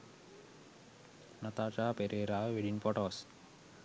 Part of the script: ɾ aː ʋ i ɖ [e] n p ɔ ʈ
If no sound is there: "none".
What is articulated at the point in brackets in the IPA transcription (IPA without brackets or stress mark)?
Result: i